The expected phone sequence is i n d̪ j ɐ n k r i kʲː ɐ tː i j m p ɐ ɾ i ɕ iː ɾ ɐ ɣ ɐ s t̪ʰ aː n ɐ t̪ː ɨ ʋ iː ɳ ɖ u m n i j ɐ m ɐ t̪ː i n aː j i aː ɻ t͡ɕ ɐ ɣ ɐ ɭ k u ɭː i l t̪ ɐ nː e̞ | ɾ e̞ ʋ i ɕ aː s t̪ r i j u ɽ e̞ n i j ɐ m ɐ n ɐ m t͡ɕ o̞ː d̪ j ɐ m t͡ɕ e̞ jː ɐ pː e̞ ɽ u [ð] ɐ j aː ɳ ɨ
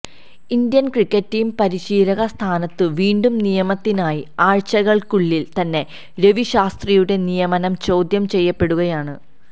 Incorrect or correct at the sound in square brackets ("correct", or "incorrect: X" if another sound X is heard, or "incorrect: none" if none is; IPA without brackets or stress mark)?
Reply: incorrect: ɣ